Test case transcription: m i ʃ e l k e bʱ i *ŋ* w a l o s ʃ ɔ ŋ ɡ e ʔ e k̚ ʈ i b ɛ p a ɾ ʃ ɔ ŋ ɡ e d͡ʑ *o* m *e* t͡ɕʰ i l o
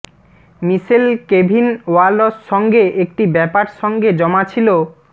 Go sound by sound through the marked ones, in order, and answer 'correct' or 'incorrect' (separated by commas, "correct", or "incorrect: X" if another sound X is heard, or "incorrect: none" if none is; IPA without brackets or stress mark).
incorrect: n, incorrect: ɔ, incorrect: a